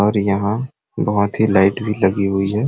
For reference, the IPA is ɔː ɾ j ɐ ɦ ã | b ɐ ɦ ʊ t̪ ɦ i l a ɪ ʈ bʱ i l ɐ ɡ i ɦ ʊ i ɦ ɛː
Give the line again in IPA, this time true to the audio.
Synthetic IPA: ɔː ɾ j ɐ ɦ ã | b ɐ ɦ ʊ t̪ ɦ i l a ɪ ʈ bʱ i l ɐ ɡ i ɦ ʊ i ɦ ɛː